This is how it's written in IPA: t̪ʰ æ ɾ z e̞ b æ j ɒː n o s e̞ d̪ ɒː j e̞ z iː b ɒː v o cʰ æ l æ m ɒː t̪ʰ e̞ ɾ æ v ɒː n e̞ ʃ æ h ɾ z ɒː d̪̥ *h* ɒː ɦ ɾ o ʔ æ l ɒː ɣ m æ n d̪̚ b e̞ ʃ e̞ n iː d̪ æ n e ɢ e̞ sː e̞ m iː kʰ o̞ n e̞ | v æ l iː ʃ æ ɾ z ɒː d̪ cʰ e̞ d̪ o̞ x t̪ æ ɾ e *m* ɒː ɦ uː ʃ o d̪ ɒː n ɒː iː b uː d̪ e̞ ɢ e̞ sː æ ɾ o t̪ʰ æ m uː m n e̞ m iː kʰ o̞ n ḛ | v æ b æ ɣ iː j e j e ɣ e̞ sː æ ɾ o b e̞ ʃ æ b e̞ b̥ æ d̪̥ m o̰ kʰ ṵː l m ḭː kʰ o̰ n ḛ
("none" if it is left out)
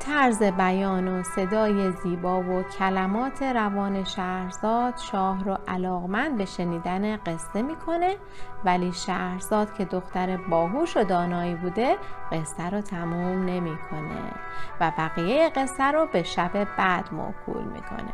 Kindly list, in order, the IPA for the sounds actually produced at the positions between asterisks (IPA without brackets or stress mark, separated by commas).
ʃ, b